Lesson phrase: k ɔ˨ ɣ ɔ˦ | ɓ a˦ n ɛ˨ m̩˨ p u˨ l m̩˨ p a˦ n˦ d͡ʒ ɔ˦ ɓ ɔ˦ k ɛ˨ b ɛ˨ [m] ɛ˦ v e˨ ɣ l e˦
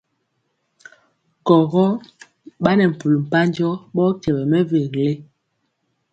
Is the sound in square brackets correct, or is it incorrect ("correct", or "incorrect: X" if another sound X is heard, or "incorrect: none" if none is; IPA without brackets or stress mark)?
correct